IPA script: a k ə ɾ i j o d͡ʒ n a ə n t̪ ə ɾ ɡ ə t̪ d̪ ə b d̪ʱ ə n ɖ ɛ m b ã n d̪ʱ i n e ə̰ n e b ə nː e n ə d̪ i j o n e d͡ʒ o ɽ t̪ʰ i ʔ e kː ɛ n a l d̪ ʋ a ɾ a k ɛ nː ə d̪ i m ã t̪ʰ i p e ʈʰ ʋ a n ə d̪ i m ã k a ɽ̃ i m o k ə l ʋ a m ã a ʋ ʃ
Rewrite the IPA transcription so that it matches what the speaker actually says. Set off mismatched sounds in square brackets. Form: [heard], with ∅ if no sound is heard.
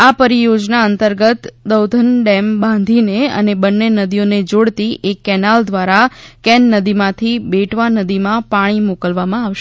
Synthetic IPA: a [p] ə ɾ i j o d͡ʒ n a ə n t̪ ə ɾ ɡ ə t̪ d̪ ə [w] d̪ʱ ə n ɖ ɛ m b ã n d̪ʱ i n e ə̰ n e b ə nː e n ə d̪ i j o n e d͡ʒ o ɽ [t̪] i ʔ e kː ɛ n a l d̪ ʋ a ɾ a k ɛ nː ə d̪ i m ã t̪ʰ i [b] e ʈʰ ʋ a n ə d̪ i m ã [p] a ɽ̃ i m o k ə l ʋ a m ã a ʋ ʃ